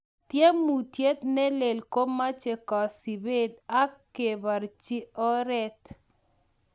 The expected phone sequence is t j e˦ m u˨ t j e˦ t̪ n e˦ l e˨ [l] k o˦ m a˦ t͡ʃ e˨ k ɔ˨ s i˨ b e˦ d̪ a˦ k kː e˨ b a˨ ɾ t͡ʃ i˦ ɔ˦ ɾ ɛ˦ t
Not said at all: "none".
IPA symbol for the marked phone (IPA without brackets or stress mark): l